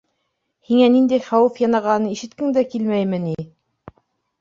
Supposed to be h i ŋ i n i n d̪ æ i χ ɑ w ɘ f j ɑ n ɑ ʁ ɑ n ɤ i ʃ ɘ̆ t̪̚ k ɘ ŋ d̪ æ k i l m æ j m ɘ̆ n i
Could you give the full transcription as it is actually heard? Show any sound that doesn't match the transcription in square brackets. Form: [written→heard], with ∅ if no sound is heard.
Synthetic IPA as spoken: h i ŋ [i→æ] n i n d̪ æ [i→j] χ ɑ w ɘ f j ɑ n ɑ ʁ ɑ n ɤ i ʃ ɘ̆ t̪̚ k ɘ ŋ d̪ æ k i l m æ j m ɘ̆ n i